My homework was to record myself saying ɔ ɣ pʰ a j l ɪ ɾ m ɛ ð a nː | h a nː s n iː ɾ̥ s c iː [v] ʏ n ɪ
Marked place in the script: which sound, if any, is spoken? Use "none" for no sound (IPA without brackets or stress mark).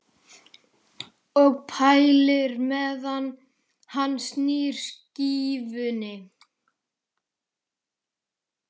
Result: v